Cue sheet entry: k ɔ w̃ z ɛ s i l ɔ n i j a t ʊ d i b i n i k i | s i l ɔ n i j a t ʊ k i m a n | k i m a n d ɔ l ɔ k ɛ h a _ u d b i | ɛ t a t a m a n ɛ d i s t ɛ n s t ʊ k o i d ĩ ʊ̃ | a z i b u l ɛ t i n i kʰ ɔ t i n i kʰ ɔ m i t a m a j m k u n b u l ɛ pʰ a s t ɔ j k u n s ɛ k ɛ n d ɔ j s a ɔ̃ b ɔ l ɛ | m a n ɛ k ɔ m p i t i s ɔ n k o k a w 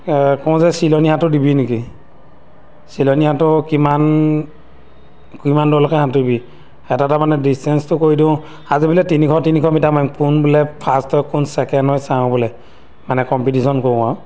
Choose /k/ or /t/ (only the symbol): t